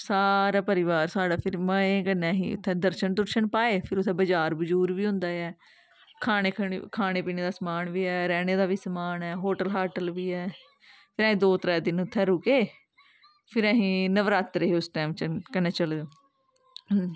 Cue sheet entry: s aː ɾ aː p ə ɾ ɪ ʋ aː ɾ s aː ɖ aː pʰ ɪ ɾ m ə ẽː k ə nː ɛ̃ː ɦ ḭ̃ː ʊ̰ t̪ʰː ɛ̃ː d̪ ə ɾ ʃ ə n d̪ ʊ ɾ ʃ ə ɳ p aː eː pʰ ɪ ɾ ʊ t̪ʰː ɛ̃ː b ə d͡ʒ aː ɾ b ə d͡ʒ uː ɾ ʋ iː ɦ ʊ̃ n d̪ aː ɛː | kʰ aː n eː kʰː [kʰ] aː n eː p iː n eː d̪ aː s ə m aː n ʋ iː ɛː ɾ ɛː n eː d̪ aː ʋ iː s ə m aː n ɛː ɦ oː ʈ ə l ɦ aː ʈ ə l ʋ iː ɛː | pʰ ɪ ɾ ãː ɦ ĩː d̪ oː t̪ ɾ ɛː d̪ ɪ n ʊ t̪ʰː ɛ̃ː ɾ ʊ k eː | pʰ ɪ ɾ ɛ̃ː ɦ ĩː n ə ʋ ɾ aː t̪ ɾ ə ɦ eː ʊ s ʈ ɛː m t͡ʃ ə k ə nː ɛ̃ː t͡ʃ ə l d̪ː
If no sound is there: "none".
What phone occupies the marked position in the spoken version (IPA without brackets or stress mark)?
kʰ